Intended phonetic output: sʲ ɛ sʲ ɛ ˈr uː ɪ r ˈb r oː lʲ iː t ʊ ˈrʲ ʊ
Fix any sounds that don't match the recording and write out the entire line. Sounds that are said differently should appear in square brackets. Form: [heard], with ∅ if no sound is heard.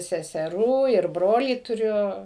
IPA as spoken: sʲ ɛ sʲ ɛ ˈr uː ɪ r ˈb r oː lʲ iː t ʊ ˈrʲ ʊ